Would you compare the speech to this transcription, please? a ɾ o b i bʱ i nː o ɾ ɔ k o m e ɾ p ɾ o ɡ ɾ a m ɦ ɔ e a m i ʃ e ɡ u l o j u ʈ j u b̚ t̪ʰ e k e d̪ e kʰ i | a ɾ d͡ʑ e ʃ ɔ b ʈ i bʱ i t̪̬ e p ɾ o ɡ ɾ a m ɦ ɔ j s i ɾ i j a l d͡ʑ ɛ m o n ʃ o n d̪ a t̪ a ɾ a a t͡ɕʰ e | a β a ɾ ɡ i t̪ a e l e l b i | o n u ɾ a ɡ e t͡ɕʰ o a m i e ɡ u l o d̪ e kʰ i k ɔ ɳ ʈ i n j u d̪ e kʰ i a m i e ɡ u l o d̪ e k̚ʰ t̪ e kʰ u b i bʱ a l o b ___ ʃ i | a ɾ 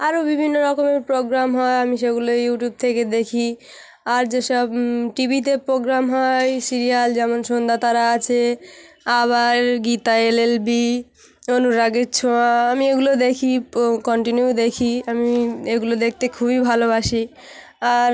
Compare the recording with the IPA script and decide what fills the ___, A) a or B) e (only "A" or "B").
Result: A